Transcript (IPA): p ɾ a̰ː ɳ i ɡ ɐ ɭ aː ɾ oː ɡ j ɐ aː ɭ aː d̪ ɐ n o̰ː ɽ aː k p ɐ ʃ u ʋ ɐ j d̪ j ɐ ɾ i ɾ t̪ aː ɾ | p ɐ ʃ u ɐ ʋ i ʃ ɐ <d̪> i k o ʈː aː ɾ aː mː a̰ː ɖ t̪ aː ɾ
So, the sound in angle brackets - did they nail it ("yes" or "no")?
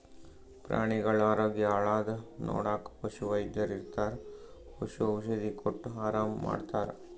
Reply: yes